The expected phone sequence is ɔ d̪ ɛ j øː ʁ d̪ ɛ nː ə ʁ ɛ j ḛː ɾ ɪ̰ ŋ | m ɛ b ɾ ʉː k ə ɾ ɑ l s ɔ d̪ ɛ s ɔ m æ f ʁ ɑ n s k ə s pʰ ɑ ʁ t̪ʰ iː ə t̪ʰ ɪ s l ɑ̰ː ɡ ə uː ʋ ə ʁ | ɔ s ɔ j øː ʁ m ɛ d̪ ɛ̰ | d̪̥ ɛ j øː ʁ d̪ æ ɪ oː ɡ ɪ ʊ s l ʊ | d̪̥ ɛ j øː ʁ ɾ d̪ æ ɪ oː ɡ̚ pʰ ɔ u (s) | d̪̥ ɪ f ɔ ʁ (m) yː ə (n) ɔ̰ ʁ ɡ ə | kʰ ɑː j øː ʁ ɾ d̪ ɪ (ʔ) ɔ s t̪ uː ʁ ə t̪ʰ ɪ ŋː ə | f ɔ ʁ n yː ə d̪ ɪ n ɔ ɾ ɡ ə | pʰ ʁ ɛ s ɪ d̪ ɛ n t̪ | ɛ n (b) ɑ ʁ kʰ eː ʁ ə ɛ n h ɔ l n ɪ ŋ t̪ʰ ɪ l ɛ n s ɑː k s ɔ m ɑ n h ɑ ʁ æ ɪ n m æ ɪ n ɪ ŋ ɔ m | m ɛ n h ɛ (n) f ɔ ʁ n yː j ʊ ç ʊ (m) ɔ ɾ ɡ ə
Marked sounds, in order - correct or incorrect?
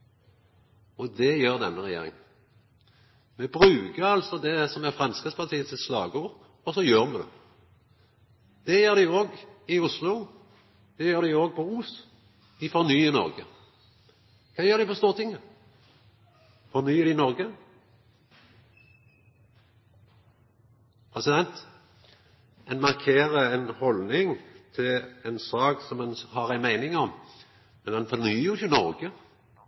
correct, incorrect, correct, incorrect, incorrect, correct, incorrect

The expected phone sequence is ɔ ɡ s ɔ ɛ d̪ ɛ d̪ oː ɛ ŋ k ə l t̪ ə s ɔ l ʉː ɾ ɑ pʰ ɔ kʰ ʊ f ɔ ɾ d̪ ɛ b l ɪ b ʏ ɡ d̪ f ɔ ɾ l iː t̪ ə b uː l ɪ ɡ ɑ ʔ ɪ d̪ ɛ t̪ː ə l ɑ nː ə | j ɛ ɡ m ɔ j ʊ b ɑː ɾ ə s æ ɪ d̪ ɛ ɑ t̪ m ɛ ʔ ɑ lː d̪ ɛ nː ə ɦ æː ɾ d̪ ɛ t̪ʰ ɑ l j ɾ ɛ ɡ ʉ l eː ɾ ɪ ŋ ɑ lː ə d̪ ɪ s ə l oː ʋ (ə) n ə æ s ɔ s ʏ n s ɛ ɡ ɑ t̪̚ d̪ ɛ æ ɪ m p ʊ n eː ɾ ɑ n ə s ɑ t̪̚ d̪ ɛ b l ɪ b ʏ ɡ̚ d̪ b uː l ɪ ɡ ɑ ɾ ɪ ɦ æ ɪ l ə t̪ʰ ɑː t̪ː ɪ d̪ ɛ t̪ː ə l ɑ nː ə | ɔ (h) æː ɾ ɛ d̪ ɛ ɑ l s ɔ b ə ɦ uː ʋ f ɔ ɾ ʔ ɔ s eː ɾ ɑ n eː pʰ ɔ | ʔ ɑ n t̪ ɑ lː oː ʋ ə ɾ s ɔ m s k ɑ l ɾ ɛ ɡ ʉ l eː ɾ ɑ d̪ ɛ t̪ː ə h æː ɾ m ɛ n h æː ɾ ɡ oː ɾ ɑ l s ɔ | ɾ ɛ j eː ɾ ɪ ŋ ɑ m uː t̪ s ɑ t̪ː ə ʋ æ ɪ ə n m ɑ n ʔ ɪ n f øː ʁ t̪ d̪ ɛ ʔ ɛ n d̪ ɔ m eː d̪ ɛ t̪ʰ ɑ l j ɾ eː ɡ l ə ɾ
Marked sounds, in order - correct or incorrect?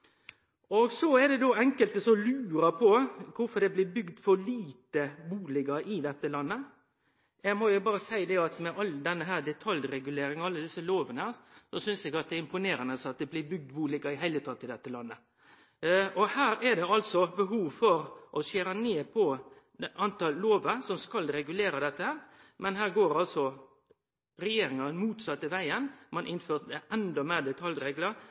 correct, correct

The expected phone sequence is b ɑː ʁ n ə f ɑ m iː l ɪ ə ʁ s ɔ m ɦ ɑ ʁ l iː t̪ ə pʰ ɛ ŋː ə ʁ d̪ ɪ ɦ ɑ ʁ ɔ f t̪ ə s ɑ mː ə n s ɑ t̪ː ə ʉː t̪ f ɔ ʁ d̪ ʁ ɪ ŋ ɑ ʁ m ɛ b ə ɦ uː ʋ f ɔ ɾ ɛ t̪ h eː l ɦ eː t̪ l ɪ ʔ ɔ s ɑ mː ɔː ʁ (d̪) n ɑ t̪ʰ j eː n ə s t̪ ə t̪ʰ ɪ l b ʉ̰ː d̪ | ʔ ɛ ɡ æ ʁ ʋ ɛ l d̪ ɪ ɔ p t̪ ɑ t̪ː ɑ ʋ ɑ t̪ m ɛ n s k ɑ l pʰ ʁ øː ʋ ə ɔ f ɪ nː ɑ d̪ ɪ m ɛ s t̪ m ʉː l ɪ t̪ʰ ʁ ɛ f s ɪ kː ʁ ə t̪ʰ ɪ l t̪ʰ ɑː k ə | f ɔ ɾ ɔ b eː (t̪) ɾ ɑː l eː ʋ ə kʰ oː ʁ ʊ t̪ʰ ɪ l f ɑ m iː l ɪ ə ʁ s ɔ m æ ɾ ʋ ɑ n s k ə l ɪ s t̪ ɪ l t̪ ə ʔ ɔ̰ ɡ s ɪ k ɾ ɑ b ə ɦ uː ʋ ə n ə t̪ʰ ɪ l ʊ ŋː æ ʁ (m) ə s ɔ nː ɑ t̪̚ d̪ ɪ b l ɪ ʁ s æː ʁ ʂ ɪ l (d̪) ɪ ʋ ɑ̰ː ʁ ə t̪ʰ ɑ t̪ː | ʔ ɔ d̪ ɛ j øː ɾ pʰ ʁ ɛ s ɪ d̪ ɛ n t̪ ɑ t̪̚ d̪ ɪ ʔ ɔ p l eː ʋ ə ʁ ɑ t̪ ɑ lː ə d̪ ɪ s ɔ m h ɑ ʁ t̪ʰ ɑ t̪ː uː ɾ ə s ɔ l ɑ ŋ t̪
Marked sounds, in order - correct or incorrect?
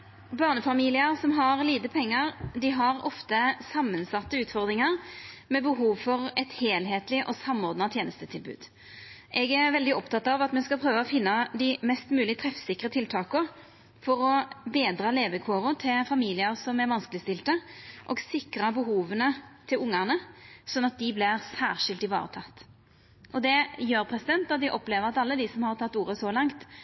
correct, incorrect, incorrect, incorrect

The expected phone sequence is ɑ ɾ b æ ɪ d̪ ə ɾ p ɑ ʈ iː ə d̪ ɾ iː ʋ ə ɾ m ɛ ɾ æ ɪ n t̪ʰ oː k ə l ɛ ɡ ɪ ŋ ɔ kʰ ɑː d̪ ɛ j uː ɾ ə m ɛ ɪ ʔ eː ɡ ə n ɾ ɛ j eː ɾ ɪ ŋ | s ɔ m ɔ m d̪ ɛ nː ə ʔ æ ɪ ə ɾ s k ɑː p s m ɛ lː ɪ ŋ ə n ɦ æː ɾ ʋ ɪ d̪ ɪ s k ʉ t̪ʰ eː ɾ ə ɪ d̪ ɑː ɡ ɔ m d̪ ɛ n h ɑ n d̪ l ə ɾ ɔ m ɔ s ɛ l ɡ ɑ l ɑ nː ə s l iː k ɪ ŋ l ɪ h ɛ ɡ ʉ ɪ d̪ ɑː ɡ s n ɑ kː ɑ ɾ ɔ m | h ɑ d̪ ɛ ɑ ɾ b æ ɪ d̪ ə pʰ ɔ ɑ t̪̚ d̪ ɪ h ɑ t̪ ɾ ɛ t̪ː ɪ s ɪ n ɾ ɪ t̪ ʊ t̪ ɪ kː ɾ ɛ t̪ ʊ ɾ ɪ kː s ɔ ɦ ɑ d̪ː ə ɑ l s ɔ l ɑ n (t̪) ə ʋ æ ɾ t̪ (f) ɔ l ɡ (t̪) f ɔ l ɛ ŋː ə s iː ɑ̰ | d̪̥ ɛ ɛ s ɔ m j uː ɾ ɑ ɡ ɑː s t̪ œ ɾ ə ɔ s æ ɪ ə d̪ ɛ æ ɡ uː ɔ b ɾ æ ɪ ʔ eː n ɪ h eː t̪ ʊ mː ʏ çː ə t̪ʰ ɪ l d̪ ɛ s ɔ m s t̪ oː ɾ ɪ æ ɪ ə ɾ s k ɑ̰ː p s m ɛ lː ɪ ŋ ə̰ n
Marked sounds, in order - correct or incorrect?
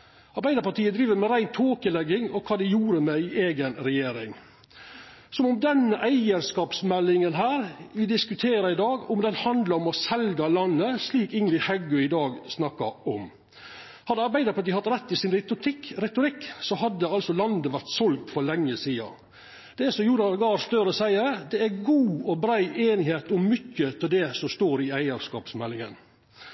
incorrect, incorrect, correct

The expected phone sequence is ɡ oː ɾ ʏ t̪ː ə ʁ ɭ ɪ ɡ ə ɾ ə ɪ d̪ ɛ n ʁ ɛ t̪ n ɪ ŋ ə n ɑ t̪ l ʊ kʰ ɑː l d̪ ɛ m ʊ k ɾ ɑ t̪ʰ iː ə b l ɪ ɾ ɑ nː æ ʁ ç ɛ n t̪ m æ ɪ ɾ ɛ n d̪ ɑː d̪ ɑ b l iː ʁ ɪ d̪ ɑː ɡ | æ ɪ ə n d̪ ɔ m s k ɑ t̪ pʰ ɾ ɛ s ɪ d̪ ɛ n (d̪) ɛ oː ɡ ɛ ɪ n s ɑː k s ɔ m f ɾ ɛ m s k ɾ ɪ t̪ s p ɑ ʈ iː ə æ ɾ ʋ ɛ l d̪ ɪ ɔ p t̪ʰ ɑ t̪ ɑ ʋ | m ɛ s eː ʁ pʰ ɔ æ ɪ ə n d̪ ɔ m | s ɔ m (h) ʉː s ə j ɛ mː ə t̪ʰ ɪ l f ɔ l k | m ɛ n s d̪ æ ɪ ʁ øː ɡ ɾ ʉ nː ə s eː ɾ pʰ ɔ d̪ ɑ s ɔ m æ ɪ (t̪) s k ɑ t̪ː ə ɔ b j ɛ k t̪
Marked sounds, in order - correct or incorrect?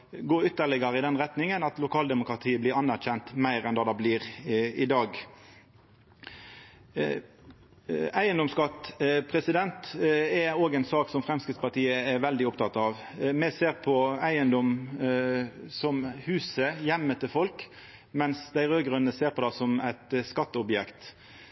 incorrect, correct, correct

